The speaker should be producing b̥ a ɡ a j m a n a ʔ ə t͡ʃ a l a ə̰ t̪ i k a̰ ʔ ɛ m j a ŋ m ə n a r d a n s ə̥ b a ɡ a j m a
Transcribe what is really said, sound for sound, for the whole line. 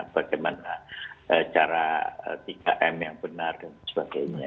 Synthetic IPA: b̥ a ɡ a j m a n a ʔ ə t͡ʃ a ɾ a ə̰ t̪ i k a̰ ʔ ɛ m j a ŋ b ə n a r d a n s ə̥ b a ɡ a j ɲ a